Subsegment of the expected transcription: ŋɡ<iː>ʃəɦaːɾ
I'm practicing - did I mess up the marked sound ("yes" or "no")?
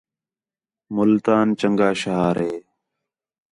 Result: yes